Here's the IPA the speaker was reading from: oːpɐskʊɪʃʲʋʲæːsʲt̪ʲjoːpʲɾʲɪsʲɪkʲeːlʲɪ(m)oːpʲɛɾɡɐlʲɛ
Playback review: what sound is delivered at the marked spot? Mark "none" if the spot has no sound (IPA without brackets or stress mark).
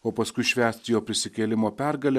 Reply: m